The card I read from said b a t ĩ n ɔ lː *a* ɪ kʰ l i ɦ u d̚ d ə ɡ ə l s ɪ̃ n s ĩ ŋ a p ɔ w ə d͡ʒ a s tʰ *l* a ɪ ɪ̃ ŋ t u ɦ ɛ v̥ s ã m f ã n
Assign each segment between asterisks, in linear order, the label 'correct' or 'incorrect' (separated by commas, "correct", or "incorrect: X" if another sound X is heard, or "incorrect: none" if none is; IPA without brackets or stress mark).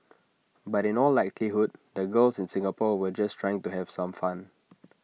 correct, incorrect: ɹ